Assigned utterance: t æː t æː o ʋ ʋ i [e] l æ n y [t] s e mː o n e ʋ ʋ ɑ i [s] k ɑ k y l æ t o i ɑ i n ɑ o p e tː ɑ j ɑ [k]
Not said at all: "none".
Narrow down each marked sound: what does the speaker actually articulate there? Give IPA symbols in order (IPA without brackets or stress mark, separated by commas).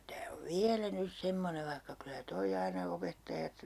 æ, s, h, t